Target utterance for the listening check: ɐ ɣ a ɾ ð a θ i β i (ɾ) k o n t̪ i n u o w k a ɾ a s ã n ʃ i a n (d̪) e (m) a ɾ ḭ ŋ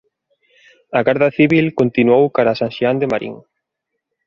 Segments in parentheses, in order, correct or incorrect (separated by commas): incorrect, correct, correct